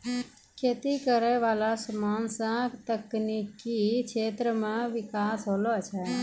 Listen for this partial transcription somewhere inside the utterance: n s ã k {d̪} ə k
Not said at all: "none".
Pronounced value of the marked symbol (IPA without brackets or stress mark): t̪